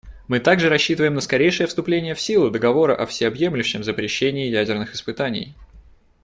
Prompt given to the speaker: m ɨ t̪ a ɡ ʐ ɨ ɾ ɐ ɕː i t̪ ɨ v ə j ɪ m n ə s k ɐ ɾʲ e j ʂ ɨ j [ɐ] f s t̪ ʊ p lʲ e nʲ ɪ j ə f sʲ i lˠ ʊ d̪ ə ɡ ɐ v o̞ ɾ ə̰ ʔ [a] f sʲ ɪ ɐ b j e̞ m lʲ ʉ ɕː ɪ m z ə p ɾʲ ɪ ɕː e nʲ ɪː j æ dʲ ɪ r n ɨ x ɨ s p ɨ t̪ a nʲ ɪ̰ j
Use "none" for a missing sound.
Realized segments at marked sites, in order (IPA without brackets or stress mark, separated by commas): ə, ɐ